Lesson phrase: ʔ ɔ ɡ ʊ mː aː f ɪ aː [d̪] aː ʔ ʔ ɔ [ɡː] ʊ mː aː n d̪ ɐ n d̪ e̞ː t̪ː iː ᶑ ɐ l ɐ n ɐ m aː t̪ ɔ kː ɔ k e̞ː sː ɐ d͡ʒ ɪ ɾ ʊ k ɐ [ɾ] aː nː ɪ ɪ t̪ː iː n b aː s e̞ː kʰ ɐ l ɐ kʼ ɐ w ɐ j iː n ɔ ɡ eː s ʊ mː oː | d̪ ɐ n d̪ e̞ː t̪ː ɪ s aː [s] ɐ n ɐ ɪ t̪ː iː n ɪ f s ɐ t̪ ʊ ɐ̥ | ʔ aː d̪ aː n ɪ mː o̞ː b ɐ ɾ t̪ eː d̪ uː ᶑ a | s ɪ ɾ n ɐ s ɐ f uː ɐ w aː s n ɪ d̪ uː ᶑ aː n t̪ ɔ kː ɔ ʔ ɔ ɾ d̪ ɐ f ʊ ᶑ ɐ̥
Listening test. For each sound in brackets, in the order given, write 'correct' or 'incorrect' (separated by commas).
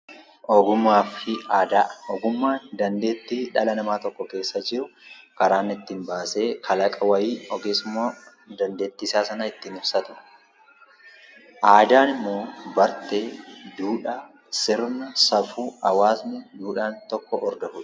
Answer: correct, incorrect, correct, correct